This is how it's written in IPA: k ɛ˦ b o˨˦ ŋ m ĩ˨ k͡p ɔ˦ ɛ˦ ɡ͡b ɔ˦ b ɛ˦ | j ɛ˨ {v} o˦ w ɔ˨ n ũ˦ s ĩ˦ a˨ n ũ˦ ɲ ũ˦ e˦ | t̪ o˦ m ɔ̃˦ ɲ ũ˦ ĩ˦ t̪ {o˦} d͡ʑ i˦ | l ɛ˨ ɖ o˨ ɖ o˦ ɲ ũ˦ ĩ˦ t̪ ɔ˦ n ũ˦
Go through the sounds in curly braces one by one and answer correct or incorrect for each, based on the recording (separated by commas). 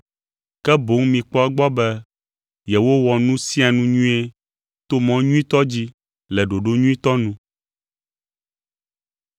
incorrect, incorrect